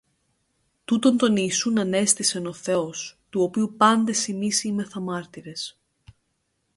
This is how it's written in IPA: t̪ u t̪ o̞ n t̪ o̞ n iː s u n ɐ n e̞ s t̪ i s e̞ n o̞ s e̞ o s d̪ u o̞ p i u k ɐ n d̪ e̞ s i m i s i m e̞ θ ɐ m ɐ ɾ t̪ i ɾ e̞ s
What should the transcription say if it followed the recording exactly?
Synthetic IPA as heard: t̪ u t̪ o̞ n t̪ o̞ n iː s u n ɐ n e̞ s t̪ i s e̞ n o̞ θ e̞ o s t̪ u o̞ p i u p ɐ n d̪ e̞ s i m i s i m e̞ θ ɐ m ɐ ɾ t̪ i ɾ e̞ s